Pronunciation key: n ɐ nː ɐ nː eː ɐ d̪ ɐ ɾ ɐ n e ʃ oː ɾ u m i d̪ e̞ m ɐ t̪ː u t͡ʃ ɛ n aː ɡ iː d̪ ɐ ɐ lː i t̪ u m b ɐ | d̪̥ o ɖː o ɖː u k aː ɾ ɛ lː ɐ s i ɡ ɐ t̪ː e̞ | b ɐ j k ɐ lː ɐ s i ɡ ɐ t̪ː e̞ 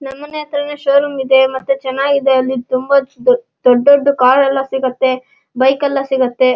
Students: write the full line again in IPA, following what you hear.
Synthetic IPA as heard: n ɐ mː ɐ n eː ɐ t̪ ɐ ɾ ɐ n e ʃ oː ɾ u m i d̪ e̞ m ɐ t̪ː u t͡ʃ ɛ n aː ɡ i d̪ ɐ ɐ lː i t̪ u m b ɐ | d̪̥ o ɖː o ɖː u k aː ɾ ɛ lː ɐ s i ɡ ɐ t̪ː e̞ | b ɐ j k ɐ lː ɐ s i ɡ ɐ t̪ː e̞